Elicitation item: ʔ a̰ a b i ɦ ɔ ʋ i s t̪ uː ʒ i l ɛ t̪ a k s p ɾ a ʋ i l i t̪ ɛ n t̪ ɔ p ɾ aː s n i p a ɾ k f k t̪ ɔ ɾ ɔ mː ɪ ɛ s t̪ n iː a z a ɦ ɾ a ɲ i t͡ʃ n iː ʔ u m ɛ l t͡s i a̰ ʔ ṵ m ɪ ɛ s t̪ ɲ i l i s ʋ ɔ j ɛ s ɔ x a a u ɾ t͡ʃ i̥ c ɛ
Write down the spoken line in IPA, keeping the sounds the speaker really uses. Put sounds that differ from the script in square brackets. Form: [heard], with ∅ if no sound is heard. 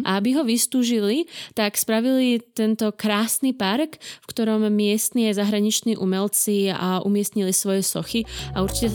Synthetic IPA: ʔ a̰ a b i ɦ ɔ ʋ i s t̪ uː ʒ i l [i] t̪ a k s p ɾ a ʋ i l i t̪ ɛ n t̪ ɔ [k] ɾ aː s n i p a ɾ k f k t̪ ɔ ɾ ɔ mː ɪ ɛ s t̪ n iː a z a ɦ ɾ a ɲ i t͡ʃ n iː ʔ u m ɛ l t͡s i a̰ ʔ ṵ m ɪ ɛ s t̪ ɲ i l i s ʋ ɔ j ɛ s ɔ x [i] a u ɾ t͡ʃ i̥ c ɛ